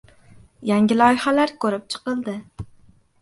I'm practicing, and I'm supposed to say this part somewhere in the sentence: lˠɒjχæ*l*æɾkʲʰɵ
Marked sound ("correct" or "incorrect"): correct